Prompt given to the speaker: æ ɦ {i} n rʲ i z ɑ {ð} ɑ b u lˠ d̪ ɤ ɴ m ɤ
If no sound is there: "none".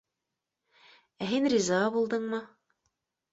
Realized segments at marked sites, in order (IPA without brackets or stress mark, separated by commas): i, ʁ